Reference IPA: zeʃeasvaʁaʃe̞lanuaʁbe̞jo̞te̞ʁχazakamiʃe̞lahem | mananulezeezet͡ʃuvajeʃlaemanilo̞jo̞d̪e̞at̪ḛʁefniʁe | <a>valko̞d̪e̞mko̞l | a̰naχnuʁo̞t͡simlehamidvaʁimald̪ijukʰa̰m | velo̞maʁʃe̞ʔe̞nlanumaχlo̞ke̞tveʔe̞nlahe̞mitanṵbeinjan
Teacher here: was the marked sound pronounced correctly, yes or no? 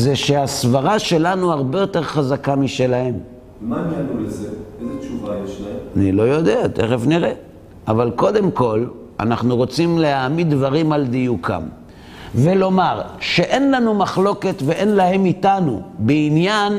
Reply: yes